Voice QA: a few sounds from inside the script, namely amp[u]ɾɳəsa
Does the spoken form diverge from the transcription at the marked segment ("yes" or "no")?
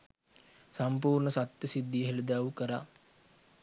yes